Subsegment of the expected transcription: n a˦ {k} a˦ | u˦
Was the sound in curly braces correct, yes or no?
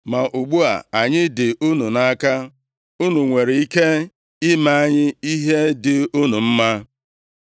yes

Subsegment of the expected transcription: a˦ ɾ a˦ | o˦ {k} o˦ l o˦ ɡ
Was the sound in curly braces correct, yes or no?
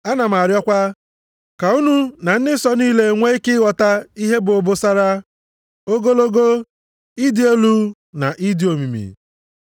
no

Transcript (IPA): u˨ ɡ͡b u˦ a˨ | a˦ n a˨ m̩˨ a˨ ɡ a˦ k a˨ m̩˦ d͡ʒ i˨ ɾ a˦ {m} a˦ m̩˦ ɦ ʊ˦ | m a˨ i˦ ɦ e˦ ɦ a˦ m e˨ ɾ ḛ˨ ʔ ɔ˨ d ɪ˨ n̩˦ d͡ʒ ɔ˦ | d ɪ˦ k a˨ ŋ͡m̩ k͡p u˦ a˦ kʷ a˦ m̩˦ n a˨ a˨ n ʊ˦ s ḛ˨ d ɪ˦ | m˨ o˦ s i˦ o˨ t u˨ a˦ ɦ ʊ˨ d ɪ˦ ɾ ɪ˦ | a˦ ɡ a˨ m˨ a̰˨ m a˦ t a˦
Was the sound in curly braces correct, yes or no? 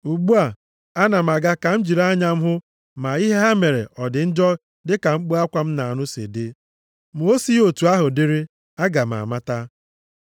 no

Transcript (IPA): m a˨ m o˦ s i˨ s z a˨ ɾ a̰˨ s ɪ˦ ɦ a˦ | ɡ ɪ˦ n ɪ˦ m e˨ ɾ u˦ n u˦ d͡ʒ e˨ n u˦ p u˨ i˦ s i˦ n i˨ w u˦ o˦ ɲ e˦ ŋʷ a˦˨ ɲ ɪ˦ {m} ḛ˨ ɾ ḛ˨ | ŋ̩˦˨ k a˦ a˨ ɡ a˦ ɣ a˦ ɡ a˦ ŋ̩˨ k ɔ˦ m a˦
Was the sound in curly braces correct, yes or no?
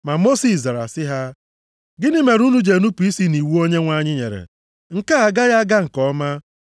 no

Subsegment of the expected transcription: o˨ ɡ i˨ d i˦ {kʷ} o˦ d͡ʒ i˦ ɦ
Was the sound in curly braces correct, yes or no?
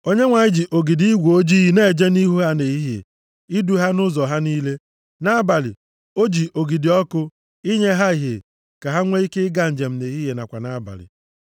no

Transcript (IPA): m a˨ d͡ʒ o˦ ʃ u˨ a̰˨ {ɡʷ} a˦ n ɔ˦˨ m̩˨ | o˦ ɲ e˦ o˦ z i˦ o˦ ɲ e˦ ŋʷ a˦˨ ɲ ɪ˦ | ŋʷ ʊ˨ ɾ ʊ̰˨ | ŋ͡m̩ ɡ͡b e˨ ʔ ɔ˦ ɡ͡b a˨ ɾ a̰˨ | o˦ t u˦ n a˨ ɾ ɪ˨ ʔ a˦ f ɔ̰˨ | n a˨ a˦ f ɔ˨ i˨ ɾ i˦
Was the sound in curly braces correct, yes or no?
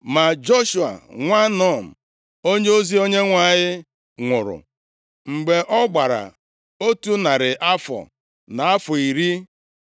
no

